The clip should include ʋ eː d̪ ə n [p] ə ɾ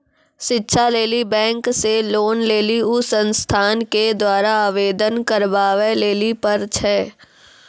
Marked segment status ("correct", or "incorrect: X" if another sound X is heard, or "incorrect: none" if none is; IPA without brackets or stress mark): incorrect: k